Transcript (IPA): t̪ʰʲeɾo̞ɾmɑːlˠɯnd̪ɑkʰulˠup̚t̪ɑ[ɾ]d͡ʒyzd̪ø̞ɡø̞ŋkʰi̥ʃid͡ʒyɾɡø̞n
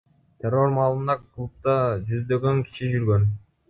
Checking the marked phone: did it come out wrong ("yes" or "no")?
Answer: yes